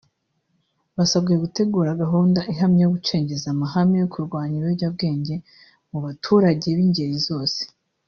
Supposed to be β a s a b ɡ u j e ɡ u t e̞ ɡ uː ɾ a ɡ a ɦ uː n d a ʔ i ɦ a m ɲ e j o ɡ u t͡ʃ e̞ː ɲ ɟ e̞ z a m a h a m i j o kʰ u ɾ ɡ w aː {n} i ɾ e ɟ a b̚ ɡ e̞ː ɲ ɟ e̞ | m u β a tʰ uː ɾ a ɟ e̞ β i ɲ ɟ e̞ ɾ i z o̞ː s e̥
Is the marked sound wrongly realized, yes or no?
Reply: yes